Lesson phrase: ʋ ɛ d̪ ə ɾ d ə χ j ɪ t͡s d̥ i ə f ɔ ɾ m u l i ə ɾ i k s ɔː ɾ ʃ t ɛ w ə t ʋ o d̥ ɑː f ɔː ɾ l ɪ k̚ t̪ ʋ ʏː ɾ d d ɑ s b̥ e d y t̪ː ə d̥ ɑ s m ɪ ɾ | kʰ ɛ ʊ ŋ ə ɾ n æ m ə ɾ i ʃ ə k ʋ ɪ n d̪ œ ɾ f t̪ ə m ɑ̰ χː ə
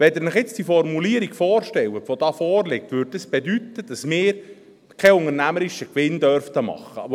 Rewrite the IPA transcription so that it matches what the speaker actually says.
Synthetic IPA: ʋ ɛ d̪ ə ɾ n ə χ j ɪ t͡s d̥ i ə f ɔ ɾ m u l i ə ɾ i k f ɔː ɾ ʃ t ɛ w ə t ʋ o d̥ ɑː f ɔː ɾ l ɪ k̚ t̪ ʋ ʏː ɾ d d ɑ s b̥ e d y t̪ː ə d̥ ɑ s m ɪː ɾ | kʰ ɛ ʊ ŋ ə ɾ n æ m ə ɾ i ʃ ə k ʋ ɪ n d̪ œ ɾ f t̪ ə m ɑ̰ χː ə